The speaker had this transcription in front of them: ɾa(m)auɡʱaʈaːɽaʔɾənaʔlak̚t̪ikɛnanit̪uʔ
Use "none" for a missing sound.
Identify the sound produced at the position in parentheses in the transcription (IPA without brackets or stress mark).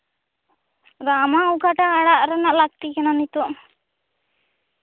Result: m